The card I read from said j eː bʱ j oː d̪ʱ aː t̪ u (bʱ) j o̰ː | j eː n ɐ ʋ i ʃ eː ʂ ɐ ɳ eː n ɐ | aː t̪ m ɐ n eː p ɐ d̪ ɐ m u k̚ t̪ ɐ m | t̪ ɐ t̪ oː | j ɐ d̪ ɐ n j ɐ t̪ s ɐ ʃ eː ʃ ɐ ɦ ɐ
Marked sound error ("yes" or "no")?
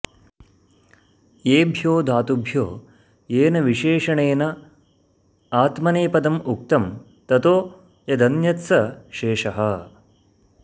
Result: no